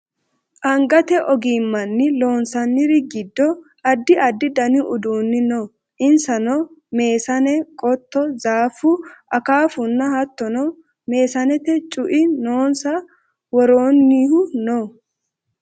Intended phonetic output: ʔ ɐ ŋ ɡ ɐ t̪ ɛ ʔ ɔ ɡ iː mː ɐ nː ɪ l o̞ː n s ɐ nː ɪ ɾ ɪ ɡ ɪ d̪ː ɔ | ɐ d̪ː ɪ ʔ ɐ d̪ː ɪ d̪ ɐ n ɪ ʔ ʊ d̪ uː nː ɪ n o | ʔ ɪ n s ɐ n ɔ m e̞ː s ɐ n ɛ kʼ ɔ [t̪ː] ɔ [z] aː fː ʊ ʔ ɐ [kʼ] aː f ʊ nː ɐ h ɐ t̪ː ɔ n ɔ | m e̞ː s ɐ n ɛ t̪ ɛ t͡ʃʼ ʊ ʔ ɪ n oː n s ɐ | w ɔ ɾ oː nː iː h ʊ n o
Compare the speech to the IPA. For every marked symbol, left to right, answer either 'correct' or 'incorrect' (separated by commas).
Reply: correct, correct, incorrect